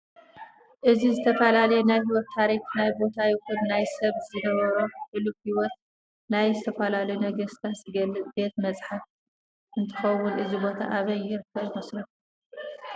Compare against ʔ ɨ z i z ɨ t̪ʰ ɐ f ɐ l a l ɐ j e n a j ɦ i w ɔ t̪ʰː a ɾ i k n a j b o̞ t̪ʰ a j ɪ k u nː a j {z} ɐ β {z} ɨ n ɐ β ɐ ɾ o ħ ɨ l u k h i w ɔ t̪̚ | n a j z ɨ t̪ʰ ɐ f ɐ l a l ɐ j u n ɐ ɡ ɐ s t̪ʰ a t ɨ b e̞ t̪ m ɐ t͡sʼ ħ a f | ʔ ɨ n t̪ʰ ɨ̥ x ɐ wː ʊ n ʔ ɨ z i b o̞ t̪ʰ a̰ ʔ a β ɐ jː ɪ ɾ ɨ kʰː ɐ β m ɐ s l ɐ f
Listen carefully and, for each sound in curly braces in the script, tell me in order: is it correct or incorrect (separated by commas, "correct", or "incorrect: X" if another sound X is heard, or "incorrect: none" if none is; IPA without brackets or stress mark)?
incorrect: s, correct